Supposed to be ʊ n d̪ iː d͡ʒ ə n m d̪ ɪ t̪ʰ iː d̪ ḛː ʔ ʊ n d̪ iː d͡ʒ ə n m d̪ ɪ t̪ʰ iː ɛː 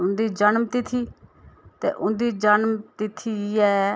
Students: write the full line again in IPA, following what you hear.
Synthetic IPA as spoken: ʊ n d̪ iː d͡ʒ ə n m t̪ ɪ t̪ʰ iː t̪ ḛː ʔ ʊ n d̪ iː d͡ʒ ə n m t̪ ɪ t̪ʰ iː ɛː